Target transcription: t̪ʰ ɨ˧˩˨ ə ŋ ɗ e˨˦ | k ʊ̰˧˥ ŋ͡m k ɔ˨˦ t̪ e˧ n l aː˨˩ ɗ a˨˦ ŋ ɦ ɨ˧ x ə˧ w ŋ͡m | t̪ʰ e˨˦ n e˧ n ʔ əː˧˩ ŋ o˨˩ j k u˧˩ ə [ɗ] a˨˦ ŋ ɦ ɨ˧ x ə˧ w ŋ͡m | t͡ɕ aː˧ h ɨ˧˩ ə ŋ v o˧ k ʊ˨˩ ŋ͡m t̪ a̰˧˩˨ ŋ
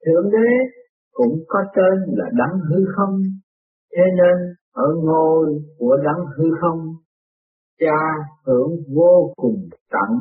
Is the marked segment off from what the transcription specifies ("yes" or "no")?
no